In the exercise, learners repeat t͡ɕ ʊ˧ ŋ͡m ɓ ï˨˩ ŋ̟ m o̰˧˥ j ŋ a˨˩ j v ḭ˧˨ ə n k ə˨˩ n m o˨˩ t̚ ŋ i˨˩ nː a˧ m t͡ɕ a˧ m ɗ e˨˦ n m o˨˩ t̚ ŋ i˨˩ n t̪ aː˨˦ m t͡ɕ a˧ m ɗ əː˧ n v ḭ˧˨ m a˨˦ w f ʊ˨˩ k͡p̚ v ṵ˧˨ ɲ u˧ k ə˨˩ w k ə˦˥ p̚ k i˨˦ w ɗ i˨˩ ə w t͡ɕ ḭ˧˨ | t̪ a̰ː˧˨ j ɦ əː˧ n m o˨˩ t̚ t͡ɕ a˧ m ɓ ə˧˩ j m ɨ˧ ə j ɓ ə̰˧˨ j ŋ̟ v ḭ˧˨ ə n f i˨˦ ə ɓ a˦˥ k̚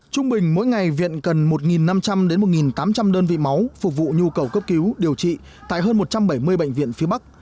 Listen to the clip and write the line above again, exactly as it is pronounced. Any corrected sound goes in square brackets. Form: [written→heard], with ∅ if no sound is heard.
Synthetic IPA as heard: t͡ɕ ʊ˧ ŋ͡m ɓ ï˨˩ ŋ̟ m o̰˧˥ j ŋ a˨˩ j v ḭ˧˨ ə n k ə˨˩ n m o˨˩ t̚ ŋ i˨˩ nː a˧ m t͡ɕ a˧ m ɗ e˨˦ n m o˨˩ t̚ ŋ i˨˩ n t̪ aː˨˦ m t͡ɕ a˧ m ɗ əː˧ n v ḭ˧˨ m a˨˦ w f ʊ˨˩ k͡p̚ v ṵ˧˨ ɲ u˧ k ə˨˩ w k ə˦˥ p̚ k i˨˦ w ɗ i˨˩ ə w t͡ɕ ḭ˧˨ | t̪ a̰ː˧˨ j ɦ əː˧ n m o˨˩ t̚ t͡ɕ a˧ m ɓ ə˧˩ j m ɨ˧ ə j ɓ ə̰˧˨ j ŋ̟ v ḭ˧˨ ə n f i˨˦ ə ɓ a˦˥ k̚